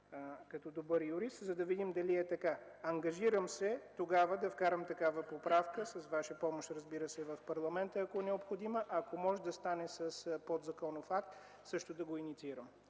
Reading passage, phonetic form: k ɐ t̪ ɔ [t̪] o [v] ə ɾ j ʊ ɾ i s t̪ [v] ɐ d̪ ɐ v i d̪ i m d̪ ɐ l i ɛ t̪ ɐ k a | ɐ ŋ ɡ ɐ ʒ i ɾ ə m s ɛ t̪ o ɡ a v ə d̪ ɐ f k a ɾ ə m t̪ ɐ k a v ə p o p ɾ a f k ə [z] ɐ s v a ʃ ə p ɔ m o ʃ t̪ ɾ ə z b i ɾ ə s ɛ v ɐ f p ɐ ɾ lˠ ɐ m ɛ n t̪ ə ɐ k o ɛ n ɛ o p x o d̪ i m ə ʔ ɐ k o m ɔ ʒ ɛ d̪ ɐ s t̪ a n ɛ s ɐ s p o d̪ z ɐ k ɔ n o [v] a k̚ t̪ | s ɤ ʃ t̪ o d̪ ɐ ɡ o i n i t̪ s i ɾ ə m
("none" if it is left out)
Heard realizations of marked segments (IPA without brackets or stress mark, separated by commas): d̪, b, z, s, f